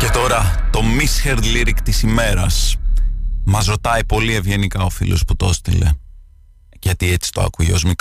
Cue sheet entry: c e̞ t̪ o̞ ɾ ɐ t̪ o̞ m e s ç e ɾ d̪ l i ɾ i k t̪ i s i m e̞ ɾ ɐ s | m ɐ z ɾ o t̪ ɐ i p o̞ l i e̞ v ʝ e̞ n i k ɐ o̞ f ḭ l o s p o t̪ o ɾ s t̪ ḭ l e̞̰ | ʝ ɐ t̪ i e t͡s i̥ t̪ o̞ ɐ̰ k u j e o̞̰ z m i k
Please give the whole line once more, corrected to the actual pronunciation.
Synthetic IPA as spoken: c e̞ t̪ o̞ ɾ ɐ t̪ o̞ m i s ç e ɾ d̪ l i ɾ i k t̪ i s i m e̞ ɾ ɐ s | m ɐ z ɾ o t̪ ɐ i p o̞ l i e̞ v ʝ e̞ n i k ɐ o̞ f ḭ l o s p u t̪ o s t̪ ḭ l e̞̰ | ʝ ɐ t̪ i e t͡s i̥ t̪ o̞ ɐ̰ k u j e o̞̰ z m i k